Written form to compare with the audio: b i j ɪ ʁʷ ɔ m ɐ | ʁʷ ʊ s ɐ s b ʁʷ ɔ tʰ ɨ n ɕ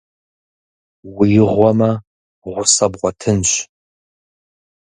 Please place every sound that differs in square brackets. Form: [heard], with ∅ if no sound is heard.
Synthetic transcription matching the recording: [w] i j ɪ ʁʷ ɔ m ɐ | ʁʷ ʊ s ɐ [∅] b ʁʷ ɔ tʰ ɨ n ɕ